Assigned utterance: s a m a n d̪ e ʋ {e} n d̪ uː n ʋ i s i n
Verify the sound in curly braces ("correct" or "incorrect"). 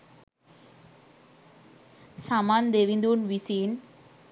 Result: incorrect